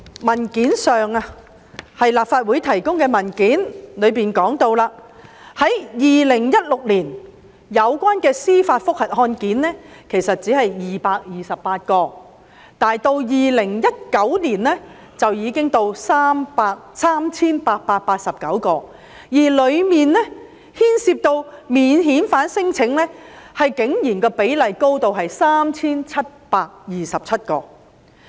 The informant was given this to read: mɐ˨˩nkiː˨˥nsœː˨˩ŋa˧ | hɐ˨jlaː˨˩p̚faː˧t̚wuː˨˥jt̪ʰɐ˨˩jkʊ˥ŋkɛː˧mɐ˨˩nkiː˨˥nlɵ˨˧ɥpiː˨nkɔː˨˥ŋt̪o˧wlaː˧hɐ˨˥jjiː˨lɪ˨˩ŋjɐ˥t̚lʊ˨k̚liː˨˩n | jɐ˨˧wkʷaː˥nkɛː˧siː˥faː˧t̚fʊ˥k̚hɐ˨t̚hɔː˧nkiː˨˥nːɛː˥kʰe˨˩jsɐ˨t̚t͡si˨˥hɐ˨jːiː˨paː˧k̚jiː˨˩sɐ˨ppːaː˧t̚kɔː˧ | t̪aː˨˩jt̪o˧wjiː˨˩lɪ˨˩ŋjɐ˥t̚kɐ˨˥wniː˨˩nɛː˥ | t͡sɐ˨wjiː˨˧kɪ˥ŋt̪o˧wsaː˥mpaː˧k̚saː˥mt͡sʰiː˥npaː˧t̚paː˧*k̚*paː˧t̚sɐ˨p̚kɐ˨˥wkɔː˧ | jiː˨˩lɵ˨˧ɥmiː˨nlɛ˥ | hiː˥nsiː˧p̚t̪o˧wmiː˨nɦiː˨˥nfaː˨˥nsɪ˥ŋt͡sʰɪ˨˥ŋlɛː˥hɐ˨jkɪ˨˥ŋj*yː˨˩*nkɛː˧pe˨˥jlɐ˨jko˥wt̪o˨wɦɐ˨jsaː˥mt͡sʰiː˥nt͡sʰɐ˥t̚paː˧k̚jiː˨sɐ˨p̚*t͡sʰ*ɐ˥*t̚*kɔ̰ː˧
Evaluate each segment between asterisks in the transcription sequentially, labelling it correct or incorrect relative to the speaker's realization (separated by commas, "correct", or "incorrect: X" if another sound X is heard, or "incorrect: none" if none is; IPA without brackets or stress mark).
incorrect: t̚, incorrect: iː˨˩, correct, correct